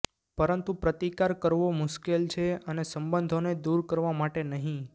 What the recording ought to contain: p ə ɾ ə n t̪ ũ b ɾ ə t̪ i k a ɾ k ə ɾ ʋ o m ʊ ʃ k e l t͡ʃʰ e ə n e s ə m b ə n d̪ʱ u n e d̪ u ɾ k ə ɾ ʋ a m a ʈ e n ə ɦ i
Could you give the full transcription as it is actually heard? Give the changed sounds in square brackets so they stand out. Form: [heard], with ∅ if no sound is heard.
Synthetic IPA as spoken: p ə ɾ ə n t̪ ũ [p] ɾ ə t̪ i k a ɾ k ə ɾ ʋ o m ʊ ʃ k e l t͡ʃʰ e ə n e s ə m b ə n d̪ʱ [o] n e d̪ u ɾ k ə ɾ ʋ a m a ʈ e n ə ɦ [ĩ]